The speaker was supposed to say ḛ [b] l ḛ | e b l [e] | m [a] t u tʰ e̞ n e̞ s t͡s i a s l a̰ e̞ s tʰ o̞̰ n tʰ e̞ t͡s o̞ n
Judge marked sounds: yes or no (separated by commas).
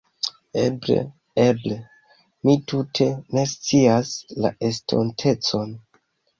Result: yes, yes, no